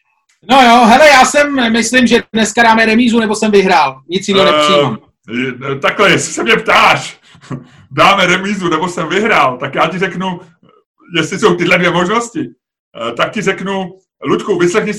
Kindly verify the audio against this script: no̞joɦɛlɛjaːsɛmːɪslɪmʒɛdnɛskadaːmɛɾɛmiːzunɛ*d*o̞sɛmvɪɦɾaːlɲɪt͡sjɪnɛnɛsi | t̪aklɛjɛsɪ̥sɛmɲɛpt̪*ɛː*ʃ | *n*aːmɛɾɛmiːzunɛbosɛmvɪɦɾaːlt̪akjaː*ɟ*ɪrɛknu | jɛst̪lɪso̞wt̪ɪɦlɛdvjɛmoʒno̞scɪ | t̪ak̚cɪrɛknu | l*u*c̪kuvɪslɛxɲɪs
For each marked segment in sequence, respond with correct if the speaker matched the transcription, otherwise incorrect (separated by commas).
incorrect, incorrect, incorrect, incorrect, correct